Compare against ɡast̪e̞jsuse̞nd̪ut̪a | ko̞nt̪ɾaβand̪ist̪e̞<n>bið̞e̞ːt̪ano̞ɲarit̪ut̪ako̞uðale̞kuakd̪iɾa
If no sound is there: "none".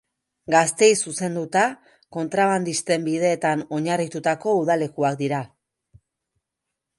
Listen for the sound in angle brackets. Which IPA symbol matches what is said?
m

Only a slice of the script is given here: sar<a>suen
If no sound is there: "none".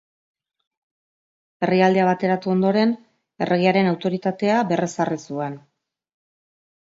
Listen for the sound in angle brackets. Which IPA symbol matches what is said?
i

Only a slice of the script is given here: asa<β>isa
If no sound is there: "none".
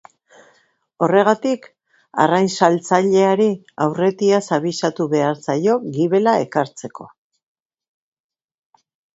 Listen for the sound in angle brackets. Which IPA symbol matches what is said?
β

